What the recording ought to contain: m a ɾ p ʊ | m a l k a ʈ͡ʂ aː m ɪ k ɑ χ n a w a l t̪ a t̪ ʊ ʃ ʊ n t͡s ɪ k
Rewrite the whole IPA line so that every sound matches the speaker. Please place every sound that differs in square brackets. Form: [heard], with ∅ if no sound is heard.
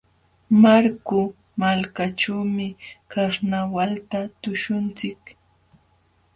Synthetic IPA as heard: m a ɾ [k] ʊ | m a l k a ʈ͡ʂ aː m ɪ k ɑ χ n a w a l t̪ a t̪ ʊ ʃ ʊ n t͡s ɪ k